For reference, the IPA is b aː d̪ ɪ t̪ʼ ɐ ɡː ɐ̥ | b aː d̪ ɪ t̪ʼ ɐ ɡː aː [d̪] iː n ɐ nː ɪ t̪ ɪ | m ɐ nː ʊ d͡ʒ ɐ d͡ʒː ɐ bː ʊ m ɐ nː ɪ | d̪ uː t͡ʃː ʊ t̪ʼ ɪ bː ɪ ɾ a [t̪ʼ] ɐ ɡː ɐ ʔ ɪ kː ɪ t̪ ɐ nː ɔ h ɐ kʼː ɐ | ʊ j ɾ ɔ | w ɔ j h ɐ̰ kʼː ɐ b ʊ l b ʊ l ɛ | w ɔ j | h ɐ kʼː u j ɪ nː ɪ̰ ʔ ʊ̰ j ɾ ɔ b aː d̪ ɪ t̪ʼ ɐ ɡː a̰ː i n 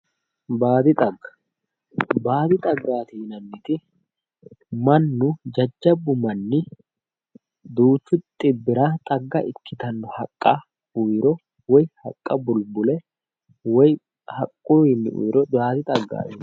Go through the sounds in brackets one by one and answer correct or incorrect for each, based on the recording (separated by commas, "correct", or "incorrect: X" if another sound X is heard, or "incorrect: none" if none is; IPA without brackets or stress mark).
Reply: incorrect: t̪, correct